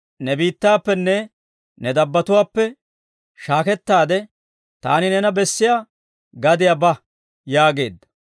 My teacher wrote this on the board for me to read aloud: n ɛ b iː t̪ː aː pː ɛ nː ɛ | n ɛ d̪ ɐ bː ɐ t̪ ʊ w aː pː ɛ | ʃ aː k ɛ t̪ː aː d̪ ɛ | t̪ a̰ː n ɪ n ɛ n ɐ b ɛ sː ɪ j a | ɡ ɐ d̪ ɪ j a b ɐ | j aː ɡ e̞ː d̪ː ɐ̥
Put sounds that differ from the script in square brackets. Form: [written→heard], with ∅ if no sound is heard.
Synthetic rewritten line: n ɛ b iː t̪ː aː pː ɛ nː ɛ | n ɛ d̪ ɐ bː ɐ t̪ ʊ w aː pː ɛ | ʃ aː k ɛ t̪ː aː d̪ ɛ | t̪ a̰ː n ɪ n ɛ n ɐ b ɛ sː ɪ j a | ɡ ɐ d̪ ɪ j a b ɐ | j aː ɡ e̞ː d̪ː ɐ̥

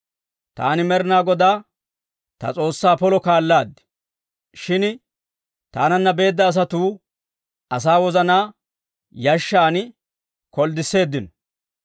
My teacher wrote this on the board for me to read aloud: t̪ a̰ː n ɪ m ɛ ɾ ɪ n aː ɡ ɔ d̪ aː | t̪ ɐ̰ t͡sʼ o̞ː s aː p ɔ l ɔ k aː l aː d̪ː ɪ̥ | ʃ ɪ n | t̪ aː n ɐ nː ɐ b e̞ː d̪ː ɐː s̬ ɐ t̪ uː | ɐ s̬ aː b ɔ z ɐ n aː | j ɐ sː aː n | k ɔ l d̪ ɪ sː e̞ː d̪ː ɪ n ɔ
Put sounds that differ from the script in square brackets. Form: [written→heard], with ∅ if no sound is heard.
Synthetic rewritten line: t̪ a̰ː n ɪ m ɛ ɾ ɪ n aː ɡ ɔ d̪ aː | t̪ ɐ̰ t͡sʼ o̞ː [s→sː] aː p ɔ l ɔ k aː [l→lː] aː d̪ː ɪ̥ | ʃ ɪ n | t̪ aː n ɐ nː ɐ b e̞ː d̪ː ɐː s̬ ɐ t̪ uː | ɐ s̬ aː [b→w] ɔ z ɐ n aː | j ɐ [sː→ʃː] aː n | k ɔ l d̪ ɪ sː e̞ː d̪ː ɪ n ɔ

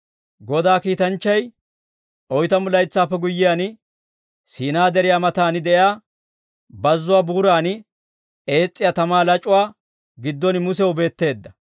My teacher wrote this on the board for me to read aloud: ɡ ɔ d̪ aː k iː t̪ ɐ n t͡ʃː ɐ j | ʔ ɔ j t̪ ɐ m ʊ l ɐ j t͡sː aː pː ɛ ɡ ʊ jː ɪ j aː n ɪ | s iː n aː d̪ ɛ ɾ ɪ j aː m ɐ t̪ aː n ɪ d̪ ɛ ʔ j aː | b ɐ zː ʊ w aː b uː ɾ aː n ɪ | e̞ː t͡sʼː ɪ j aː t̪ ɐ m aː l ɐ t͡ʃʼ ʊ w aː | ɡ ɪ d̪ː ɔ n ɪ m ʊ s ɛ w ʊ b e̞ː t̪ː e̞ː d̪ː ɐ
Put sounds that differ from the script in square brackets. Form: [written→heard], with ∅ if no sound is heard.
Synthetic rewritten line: ɡ ɔ d̪ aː k iː t̪ ɐ n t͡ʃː ɐ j | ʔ ɔ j t̪ ɐ m ʊ l ɐ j t͡sː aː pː ɛ ɡ ʊ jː ɪ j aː n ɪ | s iː n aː d̪ ɛ ɾ ɪ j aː m ɐ t̪ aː n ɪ d̪ ɛ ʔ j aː | b ɐ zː ʊ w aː b uː ɾ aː n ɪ | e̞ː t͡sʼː ɪ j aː t̪ ɐ m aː l ɐ t͡ʃʼ ʊ w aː | ɡ ɪ d̪ː ɔ n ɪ m ʊ s ɛ w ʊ b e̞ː t̪ː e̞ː d̪ː ɐ

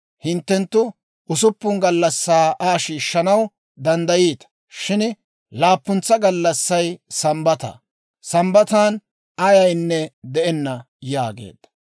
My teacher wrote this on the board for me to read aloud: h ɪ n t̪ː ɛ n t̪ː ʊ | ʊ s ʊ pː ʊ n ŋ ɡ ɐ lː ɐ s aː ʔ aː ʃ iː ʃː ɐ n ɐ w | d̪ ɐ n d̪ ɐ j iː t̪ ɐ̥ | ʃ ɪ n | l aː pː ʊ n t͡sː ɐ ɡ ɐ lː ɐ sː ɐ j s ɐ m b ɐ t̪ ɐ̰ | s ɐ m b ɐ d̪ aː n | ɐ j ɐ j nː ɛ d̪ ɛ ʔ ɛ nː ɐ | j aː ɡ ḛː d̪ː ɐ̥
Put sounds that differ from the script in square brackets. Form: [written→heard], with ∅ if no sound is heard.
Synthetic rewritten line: h ɪ n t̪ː ɛ n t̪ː ʊ | ʊ s ʊ pː ʊ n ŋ ɡ ɐ lː ɐ [s→sː] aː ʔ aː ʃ iː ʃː ɐ n ɐ w | d̪ ɐ n d̪ ɐ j iː t̪ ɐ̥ | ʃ ɪ n | l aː pː ʊ n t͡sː ɐ ɡ ɐ lː ɐ sː ɐ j s ɐ m b ɐ t̪ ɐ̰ | s ɐ m b ɐ [d̪→t̪] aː n | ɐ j ɐ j nː ɛ d̪ ɛ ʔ ɛ nː ɐ | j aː ɡ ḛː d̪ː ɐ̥

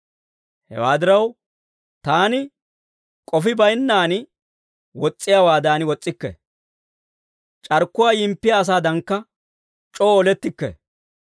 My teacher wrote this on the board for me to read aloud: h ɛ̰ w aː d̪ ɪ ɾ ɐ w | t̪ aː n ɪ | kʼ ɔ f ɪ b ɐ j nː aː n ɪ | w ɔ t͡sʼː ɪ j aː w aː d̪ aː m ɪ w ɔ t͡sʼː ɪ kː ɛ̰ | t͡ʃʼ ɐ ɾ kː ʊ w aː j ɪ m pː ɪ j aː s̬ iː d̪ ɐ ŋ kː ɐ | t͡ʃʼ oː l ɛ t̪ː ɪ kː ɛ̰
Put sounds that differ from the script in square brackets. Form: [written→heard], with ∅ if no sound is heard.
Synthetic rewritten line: h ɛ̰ w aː d̪ ɪ ɾ ɐ w | t̪ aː n ɪ | kʼ ɔ f ɪ b ɐ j nː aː n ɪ | w ɔ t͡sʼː ɪ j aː w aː d̪ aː [m→n] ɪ w ɔ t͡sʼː ɪ kː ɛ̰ | t͡ʃʼ ɐ ɾ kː ʊ w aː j ɪ m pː ɪ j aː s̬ [iː→aː] d̪ ɐ ŋ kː ɐ | t͡ʃʼ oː l ɛ t̪ː ɪ kː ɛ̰

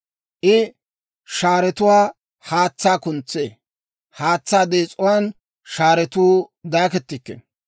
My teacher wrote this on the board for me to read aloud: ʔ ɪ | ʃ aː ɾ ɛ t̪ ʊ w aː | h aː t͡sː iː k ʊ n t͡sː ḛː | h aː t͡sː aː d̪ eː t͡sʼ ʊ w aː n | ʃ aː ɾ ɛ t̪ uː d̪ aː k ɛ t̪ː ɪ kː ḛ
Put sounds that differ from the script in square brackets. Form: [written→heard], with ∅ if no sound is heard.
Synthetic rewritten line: ʔ ɪ | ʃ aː ɾ ɛ t̪ ʊ w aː | h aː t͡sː [iː→aː] k ʊ n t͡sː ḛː | h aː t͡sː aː d̪ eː t͡sʼ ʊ w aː n | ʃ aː ɾ ɛ t̪ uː d̪ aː k ɛ t̪ː ɪ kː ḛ

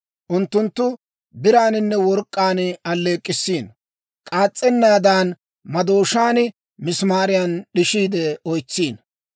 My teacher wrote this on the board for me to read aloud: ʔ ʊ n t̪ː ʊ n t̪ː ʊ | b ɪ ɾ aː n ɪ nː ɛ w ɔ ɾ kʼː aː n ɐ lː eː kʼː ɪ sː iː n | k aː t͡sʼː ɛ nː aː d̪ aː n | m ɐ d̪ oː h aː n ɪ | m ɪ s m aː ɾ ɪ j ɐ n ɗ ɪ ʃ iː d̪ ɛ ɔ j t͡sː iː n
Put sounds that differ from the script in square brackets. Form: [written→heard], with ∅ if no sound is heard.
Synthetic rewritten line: ʔ ʊ n t̪ː ʊ n t̪ː ʊ | b ɪ ɾ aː n ɪ nː ɛ w ɔ ɾ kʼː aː n ɐ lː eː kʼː ɪ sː iː n | [k→kʼ] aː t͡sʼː ɛ nː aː d̪ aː n | m ɐ d̪ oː [h→ʃ] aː n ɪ | m ɪ s m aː ɾ ɪ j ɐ n ɗ ɪ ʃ iː d̪ ɛ ɔ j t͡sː iː n

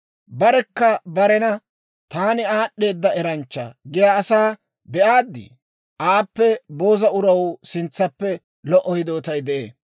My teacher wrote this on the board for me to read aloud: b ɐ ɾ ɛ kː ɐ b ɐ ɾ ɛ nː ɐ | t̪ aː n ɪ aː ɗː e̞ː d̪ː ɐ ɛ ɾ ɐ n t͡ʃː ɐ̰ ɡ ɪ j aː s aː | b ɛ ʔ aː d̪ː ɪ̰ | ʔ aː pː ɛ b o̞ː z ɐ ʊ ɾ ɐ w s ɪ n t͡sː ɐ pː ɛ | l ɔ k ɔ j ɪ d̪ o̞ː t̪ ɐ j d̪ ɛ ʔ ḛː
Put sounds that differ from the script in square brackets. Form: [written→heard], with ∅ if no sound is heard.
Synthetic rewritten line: b ɐ ɾ ɛ kː ɐ b ɐ ɾ ɛ [nː→n] ɐ | t̪ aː n ɪ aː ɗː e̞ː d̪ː ɐ ɛ ɾ ɐ n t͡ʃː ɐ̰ ɡ ɪ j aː s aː | b ɛ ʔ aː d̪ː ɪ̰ | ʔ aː pː ɛ b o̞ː z ɐ ʊ ɾ ɐ w s ɪ n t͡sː ɐ pː ɛ | l ɔ [k→ʔ] ɔ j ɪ d̪ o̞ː t̪ ɐ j d̪ ɛ ʔ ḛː

